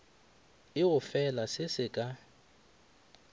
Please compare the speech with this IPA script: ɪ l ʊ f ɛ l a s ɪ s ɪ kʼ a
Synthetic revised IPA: ɪ ʊ f ɛ l a s ɪ s ɪ kʼ a